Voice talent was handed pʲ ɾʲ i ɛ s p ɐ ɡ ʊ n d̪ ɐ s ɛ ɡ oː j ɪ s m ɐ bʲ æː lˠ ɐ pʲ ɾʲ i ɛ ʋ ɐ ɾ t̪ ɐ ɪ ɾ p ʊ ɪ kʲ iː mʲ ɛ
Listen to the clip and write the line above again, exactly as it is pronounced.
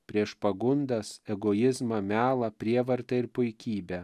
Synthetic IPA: pʲ ɾʲ i ɛ ʃ p ɐ ɡ ʊ n d̪ ɐ s ɛ ɡ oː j ɪ z m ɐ mʲ æː lˠ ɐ pʲ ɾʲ i ɛ ʋ ɐ ɾ t̪ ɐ ɪ ɾ p ʊ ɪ kʲ iː bʲ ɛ